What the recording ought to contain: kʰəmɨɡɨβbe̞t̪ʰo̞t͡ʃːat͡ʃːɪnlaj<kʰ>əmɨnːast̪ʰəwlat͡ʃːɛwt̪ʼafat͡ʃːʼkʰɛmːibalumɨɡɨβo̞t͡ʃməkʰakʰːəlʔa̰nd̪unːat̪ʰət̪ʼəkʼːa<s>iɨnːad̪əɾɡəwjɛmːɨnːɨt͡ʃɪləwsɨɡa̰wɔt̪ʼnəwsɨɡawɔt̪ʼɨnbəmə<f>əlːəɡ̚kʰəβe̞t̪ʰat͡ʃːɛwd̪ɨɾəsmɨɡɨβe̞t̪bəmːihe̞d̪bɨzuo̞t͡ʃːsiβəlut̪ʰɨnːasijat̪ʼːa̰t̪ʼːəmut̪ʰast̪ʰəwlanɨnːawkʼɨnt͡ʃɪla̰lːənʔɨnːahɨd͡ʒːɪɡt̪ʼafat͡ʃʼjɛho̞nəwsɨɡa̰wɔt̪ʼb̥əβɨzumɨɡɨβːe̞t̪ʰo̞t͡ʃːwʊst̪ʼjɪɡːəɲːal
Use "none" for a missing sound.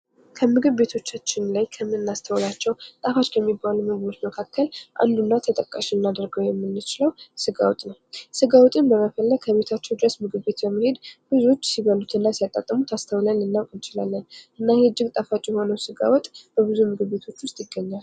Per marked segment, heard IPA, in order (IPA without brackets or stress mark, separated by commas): kʰ, ʃ, f